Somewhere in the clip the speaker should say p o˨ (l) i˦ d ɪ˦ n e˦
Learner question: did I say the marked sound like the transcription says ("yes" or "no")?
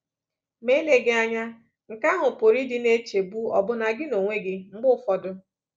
no